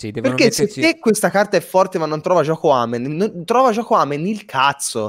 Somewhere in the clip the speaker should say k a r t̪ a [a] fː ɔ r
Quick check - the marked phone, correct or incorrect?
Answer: incorrect